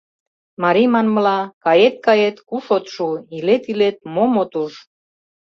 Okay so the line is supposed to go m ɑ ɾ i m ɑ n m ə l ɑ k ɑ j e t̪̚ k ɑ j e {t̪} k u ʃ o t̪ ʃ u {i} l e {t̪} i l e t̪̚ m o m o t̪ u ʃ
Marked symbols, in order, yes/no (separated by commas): yes, yes, yes